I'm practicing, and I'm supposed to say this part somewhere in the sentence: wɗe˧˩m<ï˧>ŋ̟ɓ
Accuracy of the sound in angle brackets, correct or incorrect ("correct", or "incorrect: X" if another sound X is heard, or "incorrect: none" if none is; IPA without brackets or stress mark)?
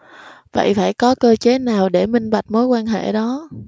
correct